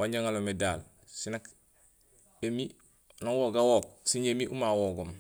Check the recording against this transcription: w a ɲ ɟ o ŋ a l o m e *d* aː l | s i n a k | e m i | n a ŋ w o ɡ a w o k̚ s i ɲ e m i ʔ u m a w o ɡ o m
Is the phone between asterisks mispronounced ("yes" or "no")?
no